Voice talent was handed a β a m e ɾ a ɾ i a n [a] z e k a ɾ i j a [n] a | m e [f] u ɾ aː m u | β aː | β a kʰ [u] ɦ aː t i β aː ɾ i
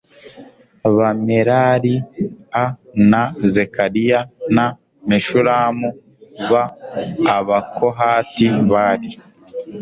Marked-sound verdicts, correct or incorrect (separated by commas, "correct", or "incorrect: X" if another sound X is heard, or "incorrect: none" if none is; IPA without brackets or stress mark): correct, correct, incorrect: ʃ, incorrect: o